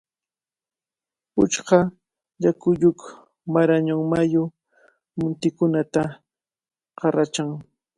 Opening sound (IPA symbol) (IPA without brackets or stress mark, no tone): ʊ